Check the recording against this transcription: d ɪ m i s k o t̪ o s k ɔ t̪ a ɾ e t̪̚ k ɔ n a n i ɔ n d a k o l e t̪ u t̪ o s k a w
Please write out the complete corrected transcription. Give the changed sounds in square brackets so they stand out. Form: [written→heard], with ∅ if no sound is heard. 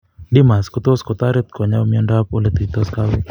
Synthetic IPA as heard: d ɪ m [i→a] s k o t̪ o s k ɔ t̪ a ɾ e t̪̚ k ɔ [n→ɲ] a [n→m] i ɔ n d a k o l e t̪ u t̪ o s k a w